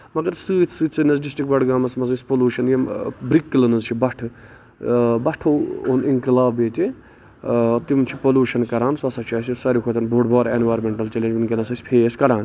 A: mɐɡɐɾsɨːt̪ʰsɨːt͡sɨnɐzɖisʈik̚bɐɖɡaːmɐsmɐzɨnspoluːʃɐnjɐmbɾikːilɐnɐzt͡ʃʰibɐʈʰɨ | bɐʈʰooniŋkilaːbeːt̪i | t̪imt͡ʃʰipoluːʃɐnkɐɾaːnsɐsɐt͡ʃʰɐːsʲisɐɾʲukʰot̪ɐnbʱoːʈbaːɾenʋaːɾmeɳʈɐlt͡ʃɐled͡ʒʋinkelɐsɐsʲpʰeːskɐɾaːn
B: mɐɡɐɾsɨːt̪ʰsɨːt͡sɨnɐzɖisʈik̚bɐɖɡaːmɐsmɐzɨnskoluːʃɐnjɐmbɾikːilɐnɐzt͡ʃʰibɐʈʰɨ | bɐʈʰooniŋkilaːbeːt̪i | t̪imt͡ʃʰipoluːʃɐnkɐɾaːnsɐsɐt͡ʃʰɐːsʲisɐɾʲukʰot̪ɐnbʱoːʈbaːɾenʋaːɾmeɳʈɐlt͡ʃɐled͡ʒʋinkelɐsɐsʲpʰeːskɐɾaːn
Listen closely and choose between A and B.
A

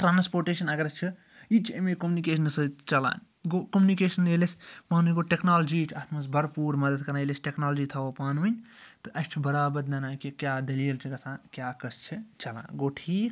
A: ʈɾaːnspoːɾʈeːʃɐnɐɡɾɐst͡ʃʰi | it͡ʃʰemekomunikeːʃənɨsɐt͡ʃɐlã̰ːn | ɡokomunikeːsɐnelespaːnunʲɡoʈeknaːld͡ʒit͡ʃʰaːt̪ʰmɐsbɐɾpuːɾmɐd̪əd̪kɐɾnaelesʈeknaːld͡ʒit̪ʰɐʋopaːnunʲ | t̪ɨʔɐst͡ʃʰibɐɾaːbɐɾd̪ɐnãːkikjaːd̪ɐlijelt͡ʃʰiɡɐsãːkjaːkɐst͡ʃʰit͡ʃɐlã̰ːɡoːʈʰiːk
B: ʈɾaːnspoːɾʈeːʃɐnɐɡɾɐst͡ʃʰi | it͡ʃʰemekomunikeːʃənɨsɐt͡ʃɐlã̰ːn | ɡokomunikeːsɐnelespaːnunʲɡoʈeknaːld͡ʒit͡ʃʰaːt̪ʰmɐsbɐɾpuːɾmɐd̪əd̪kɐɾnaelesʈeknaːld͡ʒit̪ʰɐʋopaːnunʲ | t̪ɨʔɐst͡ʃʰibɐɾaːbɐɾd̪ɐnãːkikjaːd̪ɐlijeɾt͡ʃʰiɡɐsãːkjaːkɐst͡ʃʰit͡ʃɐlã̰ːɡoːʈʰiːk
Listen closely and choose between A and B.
A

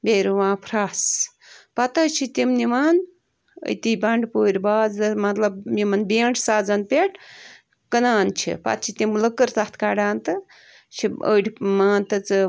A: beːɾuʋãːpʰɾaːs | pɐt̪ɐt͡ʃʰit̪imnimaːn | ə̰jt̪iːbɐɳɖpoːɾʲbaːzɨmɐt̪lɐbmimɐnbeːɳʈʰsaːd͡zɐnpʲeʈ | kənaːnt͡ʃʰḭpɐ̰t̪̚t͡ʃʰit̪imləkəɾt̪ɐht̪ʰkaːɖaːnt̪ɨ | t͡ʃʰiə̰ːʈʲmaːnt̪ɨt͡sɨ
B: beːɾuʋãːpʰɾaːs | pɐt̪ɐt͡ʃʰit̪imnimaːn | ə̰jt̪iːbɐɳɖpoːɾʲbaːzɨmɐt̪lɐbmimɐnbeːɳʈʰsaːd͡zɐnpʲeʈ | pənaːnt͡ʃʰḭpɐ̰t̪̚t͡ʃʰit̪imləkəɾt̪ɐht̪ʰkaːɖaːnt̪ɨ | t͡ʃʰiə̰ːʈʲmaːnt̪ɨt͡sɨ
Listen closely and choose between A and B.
A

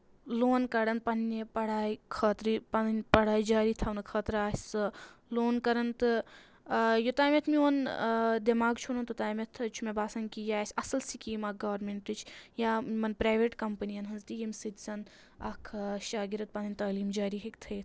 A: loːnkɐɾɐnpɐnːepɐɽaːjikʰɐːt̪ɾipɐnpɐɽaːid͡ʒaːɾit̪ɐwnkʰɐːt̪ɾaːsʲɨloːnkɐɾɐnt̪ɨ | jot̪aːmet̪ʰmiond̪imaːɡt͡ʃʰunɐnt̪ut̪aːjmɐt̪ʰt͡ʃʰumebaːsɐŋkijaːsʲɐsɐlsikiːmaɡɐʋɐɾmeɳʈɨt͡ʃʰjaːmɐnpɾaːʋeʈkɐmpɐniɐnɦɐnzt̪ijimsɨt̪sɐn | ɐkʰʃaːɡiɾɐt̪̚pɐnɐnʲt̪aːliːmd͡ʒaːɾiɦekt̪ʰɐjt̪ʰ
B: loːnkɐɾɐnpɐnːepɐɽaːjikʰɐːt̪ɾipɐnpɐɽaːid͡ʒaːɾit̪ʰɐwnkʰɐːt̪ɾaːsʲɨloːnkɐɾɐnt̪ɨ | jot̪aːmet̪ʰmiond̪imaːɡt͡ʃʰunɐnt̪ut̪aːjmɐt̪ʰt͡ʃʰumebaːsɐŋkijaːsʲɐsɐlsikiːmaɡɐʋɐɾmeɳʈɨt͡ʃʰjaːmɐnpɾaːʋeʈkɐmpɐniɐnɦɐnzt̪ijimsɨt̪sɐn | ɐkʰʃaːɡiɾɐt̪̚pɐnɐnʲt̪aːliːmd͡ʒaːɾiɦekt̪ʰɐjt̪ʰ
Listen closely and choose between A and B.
B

